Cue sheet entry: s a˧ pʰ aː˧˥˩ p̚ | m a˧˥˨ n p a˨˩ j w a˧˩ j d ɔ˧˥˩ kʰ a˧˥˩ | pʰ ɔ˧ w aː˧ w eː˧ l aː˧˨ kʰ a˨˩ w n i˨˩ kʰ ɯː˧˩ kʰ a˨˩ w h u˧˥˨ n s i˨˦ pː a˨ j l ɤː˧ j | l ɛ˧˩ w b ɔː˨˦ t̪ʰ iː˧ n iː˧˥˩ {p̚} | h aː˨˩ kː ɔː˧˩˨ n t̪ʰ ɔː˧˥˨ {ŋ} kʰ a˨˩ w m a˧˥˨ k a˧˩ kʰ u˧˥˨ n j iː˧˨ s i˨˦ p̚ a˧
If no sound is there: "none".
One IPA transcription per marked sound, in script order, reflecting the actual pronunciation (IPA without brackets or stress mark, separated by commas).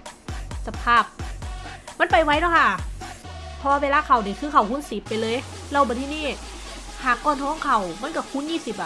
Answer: none, ŋ